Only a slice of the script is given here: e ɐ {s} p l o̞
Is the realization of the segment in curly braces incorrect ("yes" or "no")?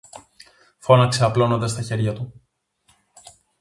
yes